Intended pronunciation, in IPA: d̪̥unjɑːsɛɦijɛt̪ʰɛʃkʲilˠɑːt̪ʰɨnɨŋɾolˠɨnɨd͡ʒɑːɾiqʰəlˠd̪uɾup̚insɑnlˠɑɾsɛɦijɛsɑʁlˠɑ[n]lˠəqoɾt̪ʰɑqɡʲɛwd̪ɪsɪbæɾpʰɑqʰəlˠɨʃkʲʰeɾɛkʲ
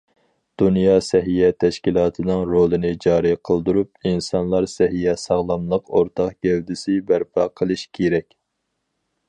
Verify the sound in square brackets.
incorrect: m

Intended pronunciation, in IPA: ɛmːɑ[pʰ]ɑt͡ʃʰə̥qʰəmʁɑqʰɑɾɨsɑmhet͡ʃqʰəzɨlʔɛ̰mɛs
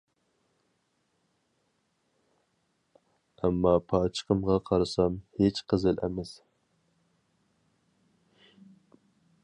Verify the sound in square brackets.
correct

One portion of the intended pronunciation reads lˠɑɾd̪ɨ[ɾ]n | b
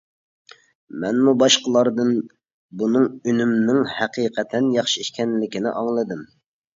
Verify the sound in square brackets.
incorrect: none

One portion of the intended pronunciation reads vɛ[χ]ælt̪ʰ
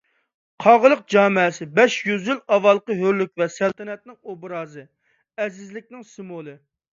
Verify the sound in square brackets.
incorrect: s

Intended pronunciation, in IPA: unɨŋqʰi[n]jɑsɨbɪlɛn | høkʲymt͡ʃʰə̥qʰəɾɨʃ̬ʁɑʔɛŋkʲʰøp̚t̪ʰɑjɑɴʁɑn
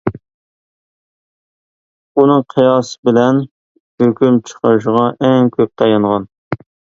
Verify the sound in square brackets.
incorrect: none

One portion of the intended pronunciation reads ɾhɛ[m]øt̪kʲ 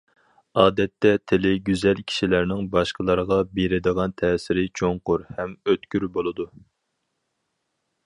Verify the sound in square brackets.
correct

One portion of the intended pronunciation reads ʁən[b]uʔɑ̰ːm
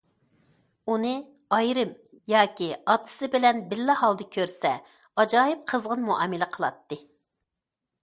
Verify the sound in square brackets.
incorrect: m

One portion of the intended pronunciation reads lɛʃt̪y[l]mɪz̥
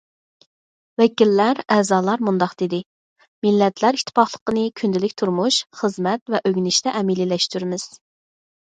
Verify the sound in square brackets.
incorrect: ɾ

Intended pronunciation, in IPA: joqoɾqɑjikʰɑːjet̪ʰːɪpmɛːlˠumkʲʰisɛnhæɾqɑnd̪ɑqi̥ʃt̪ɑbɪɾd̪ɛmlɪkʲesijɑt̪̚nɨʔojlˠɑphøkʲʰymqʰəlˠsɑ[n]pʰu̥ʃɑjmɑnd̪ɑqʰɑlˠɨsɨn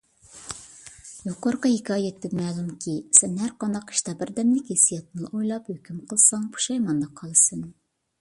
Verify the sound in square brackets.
incorrect: ŋ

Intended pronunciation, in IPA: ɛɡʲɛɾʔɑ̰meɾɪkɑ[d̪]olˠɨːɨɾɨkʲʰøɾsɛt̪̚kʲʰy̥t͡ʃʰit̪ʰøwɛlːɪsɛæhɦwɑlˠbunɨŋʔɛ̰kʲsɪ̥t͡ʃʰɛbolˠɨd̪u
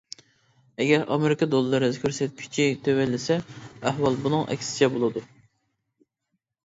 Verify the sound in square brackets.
correct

